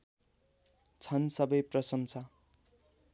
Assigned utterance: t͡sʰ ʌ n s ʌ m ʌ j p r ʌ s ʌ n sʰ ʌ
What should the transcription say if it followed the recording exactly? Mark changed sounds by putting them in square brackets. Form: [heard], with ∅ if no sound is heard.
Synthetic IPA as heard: t͡sʰ ʌ n s ʌ [b] ʌ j p r ʌ s ʌ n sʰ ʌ